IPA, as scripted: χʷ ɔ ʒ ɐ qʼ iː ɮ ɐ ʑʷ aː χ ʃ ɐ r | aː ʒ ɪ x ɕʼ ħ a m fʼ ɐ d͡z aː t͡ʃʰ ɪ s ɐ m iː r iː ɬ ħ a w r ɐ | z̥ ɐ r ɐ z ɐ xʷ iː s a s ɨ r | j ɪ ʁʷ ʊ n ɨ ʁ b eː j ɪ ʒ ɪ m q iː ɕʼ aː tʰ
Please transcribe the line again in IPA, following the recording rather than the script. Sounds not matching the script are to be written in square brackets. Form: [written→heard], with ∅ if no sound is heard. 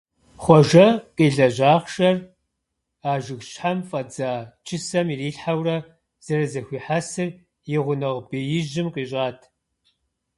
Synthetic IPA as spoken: χʷ ɔ ʒ ɐ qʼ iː ɮ ɐ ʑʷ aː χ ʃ ɐ r | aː ʒ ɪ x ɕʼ ħ a m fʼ ɐ d͡z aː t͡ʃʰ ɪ s ɐ m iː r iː ɬ ħ a w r ɐ | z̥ ɐ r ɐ z ɐ xʷ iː [s→ħ] a s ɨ r | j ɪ ʁʷ ʊ n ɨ ʁ b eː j ɪ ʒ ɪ m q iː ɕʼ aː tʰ